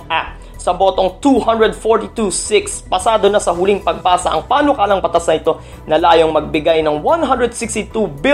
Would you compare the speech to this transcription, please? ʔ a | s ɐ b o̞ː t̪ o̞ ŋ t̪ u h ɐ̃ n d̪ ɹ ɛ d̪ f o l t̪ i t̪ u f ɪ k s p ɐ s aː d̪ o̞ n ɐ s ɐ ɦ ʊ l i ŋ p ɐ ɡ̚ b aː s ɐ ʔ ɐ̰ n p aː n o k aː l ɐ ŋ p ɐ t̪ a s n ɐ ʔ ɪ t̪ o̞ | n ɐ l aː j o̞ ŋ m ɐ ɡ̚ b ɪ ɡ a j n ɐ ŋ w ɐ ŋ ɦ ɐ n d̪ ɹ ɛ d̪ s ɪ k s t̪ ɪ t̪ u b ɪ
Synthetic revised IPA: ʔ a | s ɐ b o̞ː t̪ o̞ ŋ t̪ u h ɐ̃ n d̪ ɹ ɛ d̪ f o ɹ t̪ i t̪ u s ɪ k s p ɐ s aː d̪ o̞ n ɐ s ɐ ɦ ʊ l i ŋ p ɐ ɡ̚ b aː s ɐ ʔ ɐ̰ ŋ p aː n o k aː l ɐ ŋ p ɐ t̪ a s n ɐ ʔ ɪ t̪ o̞ | n ɐ l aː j o̞ ŋ m ɐ ɡ̚ b ɪ ɡ a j n ɐ ŋ w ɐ n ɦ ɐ n d̪ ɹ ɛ d̪ s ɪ k s t̪ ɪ t̪ u b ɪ